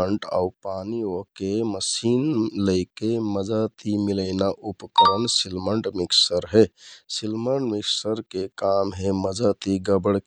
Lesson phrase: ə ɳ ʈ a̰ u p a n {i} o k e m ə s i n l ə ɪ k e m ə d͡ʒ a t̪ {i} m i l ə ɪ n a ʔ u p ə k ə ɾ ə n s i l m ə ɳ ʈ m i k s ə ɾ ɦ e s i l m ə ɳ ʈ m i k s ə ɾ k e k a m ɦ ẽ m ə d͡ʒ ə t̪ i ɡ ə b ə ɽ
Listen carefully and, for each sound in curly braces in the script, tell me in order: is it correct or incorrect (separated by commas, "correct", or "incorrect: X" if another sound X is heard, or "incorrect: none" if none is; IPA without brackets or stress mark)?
correct, correct